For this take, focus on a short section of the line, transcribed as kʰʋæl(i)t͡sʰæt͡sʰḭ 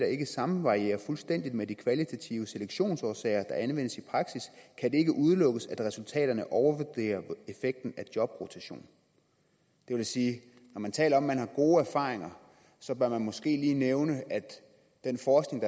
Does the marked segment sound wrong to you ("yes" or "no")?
no